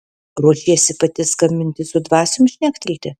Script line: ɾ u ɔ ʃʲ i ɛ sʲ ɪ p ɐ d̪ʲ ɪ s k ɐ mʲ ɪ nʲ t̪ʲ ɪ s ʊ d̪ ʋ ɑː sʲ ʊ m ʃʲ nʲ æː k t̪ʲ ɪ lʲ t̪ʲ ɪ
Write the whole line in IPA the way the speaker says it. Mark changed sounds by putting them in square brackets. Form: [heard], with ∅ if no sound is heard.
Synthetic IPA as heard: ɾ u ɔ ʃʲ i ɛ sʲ ɪ p ɐ [t̪ʲ] ɪ s k ɐ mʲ ɪ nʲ t̪ʲ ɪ s ʊ d̪ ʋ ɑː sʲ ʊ m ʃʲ nʲ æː k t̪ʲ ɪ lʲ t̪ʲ ɪ